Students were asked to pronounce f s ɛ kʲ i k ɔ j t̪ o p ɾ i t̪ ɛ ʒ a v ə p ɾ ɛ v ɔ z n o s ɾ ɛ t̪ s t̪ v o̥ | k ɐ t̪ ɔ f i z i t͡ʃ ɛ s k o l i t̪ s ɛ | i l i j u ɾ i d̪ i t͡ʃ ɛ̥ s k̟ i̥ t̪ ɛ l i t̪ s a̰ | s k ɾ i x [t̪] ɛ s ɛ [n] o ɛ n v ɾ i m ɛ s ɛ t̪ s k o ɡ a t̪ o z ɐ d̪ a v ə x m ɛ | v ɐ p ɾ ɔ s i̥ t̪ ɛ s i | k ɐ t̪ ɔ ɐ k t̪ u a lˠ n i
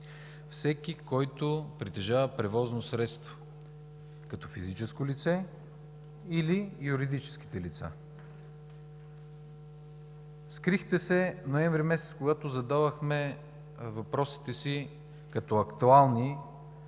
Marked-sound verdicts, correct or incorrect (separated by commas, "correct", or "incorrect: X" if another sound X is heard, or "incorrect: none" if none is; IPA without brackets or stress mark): correct, correct